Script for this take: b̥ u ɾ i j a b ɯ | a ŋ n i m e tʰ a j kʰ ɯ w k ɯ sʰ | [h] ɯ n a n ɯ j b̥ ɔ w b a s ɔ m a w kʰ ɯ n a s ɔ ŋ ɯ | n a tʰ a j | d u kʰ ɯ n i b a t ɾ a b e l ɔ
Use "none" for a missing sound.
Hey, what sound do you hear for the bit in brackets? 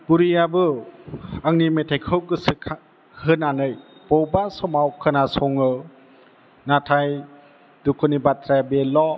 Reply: h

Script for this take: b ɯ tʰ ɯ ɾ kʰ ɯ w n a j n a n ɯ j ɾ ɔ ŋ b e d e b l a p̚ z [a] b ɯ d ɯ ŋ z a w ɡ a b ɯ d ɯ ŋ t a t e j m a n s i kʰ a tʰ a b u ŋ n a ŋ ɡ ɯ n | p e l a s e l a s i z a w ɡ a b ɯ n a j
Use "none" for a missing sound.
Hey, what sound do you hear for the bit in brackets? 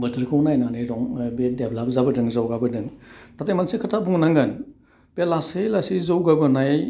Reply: a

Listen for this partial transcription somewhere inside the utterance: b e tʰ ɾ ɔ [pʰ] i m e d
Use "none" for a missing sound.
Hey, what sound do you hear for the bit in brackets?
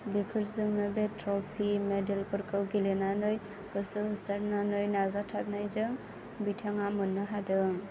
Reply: pʰ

